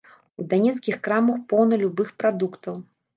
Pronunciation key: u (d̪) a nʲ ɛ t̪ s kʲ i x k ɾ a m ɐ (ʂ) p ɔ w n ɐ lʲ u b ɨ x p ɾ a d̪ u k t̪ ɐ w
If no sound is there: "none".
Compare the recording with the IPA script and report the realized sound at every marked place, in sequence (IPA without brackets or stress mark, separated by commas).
d̪, x